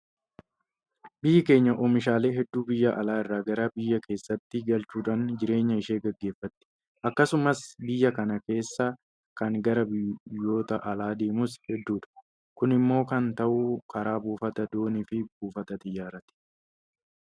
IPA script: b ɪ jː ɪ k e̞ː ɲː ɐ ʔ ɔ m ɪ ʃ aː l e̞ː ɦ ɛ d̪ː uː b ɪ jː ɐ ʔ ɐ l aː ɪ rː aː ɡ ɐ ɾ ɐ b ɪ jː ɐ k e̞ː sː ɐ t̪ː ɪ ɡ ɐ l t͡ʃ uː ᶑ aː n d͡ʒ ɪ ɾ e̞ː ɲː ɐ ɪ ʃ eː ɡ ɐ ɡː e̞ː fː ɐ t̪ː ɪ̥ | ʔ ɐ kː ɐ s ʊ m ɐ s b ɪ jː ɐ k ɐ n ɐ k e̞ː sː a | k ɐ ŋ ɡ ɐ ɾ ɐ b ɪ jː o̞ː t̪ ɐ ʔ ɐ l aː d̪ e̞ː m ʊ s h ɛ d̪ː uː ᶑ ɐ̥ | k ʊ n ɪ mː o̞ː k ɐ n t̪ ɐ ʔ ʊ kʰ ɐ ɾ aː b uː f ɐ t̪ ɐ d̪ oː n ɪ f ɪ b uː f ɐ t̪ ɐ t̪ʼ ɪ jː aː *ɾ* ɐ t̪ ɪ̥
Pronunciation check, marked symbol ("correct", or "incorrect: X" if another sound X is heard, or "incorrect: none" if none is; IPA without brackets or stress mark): correct